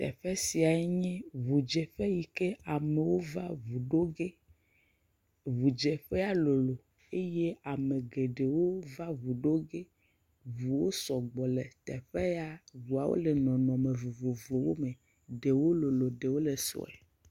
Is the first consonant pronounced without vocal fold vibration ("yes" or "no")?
yes